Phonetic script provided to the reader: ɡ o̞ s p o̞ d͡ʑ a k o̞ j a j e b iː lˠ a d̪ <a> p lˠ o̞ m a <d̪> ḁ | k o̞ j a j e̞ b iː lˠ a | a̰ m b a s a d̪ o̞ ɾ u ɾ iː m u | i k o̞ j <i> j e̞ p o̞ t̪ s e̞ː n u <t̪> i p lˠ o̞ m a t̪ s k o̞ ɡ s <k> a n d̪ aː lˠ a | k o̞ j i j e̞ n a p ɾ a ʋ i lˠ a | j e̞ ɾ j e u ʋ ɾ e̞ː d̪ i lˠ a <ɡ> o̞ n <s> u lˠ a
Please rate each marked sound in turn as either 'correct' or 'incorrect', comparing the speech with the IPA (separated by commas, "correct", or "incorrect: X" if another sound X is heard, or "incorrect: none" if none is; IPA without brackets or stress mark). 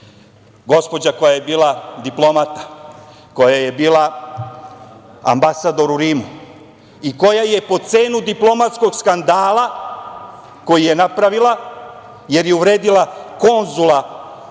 incorrect: i, incorrect: t̪, incorrect: a, incorrect: d̪, correct, incorrect: k, incorrect: z